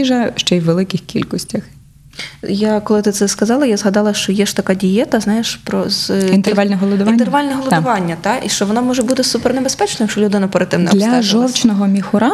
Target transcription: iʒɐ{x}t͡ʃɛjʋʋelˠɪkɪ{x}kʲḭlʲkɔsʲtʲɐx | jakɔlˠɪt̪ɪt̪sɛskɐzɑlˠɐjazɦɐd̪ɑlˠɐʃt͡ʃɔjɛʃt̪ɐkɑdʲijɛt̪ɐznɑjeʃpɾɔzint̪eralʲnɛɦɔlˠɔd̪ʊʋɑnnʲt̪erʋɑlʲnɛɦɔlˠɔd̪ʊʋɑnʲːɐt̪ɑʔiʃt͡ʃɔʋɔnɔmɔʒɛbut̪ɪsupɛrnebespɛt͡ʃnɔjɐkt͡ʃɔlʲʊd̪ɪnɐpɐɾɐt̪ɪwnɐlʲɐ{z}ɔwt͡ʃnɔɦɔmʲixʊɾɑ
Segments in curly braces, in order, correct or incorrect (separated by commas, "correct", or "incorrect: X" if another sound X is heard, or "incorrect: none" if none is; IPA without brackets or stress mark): incorrect: ʃ, correct, incorrect: ʒ